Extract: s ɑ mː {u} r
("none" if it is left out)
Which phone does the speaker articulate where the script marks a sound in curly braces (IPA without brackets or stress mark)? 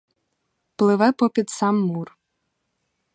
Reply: u